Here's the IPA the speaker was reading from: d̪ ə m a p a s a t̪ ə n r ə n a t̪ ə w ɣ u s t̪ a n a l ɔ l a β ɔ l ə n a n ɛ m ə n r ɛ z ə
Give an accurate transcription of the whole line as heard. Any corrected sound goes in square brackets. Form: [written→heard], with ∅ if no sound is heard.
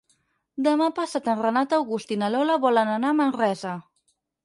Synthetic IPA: d̪ ə m a p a s a t̪ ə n r ə n a t̪ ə w ɣ u s t̪ [a→i] n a l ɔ l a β ɔ l ə n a n [ɛ→a] m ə n r ɛ z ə